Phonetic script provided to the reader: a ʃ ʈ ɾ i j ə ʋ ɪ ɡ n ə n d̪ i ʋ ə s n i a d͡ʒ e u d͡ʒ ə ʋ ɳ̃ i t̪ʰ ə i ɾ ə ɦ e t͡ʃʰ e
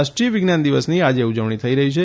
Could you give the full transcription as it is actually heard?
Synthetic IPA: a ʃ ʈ ɾ i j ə ʋ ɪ ɡ n a n d̪ i ʋ ə s n i a d͡ʒ e u d͡ʒ ə ʋ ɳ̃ i t̪ʰ ə i ɾ ə ɦ i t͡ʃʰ e